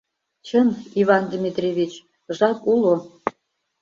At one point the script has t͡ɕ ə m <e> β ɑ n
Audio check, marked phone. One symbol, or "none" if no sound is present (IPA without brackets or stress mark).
i